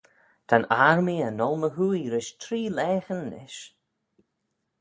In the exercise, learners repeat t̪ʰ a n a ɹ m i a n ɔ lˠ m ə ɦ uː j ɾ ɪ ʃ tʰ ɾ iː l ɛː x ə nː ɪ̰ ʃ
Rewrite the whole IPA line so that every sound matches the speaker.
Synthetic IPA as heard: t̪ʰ a n a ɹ m i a n ɔ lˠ m ə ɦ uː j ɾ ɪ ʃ tʰ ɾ iː l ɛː x ə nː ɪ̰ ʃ

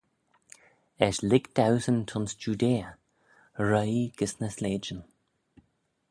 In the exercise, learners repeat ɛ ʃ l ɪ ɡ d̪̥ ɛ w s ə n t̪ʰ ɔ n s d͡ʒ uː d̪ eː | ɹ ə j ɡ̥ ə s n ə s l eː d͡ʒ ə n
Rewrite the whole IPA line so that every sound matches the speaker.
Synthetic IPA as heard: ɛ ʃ l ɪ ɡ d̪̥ a w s ə n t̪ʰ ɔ n s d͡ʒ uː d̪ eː | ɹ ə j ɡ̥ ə s n ə s l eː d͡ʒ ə n

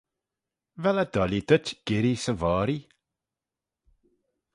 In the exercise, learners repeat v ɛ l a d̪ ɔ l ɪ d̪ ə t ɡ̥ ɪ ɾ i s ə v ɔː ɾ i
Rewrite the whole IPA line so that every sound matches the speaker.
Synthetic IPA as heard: v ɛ l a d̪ ɔ l i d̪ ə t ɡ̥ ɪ ɾ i s ə v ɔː ɾ i

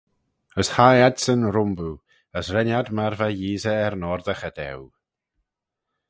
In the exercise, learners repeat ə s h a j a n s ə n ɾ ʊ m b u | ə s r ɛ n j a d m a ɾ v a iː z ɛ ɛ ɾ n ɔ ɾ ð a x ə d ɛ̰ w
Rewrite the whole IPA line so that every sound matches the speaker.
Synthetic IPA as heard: ə s h a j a d s ə n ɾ ʊ m b u | ə s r ɛ n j a d m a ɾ v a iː z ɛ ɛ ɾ n ɔ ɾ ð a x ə d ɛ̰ w

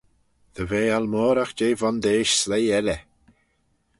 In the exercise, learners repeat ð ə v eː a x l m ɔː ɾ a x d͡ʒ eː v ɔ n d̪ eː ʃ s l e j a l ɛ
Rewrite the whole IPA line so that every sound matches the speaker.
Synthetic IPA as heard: ð ə v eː a l m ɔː ɾ a x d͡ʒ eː v ɔ n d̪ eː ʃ s l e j ɛ l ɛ

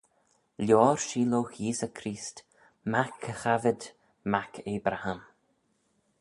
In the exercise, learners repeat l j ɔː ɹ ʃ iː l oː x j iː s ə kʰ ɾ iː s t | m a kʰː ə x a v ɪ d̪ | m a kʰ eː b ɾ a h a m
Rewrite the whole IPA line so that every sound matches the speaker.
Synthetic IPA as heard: l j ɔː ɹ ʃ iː l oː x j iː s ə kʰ ɾ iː s t | m a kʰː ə x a v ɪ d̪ | m a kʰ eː b ɾ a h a m

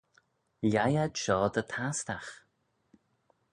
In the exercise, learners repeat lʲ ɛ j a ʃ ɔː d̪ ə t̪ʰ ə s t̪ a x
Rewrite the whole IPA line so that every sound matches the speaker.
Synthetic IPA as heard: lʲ a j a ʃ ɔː d̪ ə t̪ʰ a s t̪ a x

